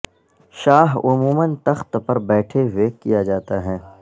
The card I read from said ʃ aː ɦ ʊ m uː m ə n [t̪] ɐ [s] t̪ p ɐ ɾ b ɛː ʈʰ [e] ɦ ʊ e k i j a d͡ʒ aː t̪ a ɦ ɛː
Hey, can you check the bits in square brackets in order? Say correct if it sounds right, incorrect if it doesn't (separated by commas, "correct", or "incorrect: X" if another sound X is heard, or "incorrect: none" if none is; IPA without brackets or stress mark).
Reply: correct, incorrect: x, correct